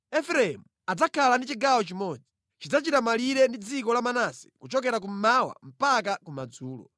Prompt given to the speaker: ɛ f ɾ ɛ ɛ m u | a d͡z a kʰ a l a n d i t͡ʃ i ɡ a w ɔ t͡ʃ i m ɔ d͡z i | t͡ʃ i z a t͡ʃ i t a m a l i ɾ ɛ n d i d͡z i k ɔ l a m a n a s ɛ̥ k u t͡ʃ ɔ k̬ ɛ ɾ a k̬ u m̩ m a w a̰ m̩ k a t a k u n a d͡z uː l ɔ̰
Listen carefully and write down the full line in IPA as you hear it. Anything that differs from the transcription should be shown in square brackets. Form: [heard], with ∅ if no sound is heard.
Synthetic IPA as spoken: ɛ f ɾ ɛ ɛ m u | a d͡z a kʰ a l a n d i t͡ʃ i ɡ a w ɔ t͡ʃ i m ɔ d͡z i | t͡ʃ i [d͡z] a t͡ʃ i t a m a l i ɾ ɛ n d i d͡z i k ɔ l a m a n a s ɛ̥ k u t͡ʃ ɔ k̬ ɛ ɾ a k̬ u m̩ m a w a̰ m̩ [p] a [k] a k u [m] a d͡z uː l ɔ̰